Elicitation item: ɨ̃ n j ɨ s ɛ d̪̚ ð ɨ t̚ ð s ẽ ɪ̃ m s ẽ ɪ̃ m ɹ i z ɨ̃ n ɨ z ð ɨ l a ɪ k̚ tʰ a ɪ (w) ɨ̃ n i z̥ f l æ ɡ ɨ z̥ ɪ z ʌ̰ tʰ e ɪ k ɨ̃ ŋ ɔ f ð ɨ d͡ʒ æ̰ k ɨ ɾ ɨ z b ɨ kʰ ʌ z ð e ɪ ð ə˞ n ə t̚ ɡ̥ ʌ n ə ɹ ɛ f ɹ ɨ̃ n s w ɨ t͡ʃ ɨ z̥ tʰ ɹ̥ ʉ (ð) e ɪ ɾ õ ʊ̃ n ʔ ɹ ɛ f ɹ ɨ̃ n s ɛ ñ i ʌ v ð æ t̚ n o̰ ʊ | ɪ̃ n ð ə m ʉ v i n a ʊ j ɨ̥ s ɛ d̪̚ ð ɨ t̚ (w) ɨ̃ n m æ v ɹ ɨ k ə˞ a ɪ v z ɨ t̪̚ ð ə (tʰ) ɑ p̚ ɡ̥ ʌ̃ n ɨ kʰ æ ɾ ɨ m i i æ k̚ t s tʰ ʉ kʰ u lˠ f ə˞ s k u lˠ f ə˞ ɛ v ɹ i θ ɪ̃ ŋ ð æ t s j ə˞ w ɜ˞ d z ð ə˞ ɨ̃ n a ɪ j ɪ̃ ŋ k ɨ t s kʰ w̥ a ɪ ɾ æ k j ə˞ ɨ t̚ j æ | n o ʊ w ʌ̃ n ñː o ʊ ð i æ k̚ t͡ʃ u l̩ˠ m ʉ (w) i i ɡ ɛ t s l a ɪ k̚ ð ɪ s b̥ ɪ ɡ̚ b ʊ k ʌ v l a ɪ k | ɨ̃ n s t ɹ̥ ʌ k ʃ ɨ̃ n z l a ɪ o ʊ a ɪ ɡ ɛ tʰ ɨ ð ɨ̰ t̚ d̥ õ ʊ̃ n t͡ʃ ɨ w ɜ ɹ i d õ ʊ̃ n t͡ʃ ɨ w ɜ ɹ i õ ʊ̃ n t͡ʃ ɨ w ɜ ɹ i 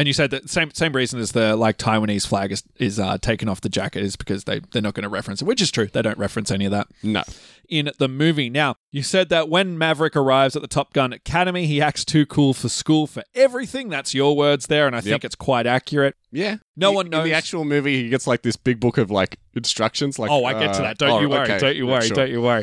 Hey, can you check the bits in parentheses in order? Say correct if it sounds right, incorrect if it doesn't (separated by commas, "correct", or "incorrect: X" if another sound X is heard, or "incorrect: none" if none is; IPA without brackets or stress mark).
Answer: correct, correct, correct, correct, incorrect: v